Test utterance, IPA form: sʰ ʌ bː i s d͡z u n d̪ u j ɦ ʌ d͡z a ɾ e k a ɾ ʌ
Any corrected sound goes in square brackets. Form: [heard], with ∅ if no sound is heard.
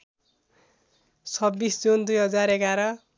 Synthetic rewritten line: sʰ ʌ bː i s d͡z u n d̪ u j ɦ ʌ d͡z a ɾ e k a ɾ ʌ